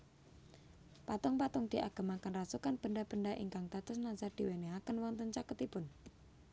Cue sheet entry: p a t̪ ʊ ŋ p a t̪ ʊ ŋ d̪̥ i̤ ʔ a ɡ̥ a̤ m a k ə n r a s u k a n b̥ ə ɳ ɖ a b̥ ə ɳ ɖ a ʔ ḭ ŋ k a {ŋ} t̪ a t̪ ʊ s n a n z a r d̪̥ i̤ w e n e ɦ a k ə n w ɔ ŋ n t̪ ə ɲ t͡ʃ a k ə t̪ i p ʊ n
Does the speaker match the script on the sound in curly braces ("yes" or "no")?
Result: yes